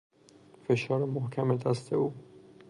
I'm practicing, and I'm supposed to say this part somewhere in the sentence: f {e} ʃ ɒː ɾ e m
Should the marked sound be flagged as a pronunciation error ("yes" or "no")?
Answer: no